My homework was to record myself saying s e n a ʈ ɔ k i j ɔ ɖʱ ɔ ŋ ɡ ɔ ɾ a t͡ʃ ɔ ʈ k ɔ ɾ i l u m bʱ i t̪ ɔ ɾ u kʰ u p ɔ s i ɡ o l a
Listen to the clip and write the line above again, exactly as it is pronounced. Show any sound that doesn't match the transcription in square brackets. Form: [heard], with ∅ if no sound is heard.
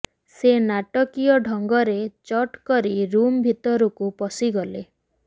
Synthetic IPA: s e n a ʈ ɔ k i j ɔ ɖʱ ɔ ŋ ɡ ɔ ɾ [e] t͡ʃ ɔ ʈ k ɔ ɾ i [ɾ] u m bʱ i t̪ ɔ ɾ u [k] u p ɔ s i ɡ [ɔ] l [e]